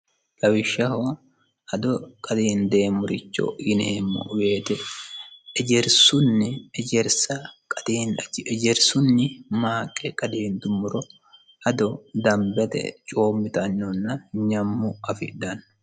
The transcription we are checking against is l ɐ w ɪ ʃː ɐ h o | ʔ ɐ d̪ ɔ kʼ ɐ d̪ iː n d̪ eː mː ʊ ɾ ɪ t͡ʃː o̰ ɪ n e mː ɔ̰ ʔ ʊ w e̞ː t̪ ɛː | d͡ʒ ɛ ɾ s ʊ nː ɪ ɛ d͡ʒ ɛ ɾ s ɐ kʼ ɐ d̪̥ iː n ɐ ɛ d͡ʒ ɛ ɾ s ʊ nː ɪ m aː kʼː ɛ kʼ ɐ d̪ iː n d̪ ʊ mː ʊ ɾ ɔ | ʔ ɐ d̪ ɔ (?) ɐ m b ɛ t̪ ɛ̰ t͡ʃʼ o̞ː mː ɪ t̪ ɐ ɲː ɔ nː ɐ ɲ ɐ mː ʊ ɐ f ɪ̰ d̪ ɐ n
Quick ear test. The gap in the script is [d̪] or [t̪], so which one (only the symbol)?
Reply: d̪